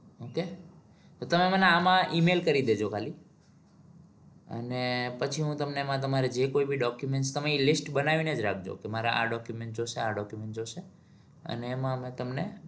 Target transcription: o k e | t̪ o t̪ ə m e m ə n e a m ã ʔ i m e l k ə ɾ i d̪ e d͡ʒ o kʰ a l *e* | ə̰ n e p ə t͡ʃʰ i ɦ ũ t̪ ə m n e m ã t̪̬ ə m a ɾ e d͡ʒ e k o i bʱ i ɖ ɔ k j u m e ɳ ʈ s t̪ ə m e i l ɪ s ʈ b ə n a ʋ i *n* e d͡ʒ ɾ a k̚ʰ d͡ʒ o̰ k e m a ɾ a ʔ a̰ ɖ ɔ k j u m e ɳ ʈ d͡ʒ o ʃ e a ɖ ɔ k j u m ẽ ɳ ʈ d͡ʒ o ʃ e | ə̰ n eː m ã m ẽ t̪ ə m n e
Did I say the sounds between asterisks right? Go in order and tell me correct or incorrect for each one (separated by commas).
incorrect, correct